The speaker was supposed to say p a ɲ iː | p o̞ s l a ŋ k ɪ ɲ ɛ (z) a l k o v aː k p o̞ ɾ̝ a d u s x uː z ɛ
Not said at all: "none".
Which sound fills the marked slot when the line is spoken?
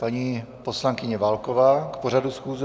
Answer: v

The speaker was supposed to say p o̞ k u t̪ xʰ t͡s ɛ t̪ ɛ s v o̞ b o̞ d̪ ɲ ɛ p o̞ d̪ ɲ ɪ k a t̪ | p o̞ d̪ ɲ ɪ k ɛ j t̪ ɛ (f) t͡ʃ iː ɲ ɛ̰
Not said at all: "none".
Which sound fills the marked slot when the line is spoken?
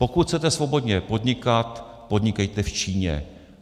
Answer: f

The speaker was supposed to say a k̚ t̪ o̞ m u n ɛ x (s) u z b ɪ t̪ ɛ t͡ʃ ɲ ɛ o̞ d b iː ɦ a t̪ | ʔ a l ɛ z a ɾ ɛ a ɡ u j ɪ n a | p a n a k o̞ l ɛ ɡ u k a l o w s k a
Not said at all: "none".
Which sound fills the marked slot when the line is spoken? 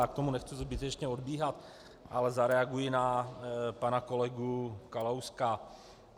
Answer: t͡s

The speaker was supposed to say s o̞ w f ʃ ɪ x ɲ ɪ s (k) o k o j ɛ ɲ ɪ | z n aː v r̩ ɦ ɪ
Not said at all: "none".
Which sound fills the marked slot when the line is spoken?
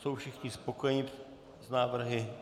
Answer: p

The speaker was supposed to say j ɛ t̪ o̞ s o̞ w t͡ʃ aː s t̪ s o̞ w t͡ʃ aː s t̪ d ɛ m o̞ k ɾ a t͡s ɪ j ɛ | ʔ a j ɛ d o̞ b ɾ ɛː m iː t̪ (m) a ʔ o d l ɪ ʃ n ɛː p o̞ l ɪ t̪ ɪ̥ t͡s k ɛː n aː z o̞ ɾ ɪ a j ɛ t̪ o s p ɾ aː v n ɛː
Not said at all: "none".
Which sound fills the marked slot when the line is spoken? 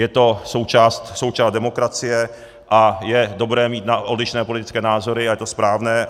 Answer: n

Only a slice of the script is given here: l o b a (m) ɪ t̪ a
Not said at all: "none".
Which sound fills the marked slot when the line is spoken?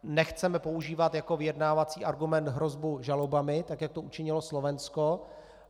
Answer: m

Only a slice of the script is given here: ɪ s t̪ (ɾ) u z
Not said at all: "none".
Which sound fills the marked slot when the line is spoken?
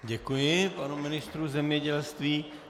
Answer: ɾ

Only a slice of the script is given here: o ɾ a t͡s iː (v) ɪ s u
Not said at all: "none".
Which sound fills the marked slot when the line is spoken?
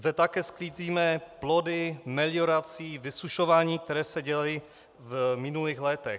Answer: v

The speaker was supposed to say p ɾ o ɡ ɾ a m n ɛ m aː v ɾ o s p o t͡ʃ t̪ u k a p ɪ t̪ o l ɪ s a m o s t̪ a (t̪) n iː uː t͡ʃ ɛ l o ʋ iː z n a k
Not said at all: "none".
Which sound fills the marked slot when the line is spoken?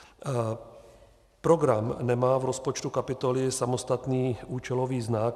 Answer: t̪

